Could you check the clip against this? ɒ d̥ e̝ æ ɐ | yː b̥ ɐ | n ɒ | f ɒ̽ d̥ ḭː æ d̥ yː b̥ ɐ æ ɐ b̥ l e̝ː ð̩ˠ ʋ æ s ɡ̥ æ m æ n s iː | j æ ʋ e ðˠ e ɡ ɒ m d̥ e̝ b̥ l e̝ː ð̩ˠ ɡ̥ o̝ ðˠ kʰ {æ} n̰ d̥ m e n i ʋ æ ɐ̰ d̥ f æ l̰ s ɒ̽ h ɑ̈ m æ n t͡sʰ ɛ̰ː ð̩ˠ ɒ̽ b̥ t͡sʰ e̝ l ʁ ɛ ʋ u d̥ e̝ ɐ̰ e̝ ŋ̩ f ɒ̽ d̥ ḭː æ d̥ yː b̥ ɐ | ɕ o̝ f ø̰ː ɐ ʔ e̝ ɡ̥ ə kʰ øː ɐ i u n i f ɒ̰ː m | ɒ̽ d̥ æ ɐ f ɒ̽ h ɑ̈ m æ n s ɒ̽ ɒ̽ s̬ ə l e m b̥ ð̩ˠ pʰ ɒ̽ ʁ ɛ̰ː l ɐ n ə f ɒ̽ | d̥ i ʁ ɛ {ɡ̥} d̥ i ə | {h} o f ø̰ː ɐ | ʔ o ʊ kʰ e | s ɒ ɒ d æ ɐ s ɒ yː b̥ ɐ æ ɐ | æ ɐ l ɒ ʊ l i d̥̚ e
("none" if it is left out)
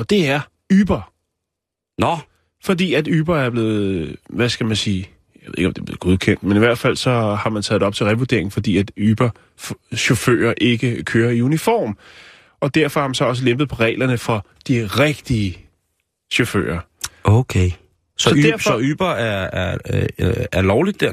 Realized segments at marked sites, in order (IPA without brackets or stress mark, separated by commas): e, ɡ̥, ɕ